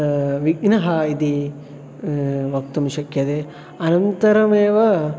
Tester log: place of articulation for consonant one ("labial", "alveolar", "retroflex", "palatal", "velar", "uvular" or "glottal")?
labial